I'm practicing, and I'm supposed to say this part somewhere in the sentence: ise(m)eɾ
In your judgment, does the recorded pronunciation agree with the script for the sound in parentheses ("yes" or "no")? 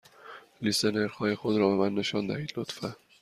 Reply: no